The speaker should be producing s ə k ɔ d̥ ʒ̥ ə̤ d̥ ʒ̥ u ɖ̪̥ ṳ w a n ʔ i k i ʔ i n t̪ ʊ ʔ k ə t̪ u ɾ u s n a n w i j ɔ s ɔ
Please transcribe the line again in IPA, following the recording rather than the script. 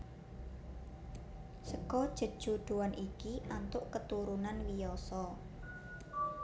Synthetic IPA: s ə k ɔ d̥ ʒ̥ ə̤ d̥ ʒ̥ u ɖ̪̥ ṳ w a n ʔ i k i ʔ a n t̪ ʊ ʔ k ə t̪ u ɾ u n a n w i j ɔ s ɔ